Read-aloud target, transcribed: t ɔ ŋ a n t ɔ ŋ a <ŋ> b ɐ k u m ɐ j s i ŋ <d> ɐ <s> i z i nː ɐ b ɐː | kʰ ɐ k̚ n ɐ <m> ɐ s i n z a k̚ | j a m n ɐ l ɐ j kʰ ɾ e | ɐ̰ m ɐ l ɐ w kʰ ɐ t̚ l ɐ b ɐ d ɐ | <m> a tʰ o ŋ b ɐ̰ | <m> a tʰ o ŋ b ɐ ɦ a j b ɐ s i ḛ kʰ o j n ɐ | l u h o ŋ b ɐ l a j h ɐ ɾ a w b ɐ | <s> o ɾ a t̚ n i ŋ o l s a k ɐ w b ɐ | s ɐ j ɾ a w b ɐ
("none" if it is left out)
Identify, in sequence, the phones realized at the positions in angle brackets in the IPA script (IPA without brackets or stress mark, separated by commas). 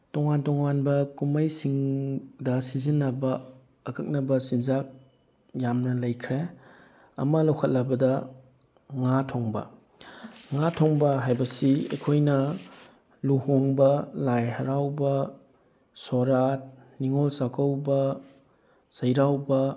n, d, s, b, ŋ, ŋ, s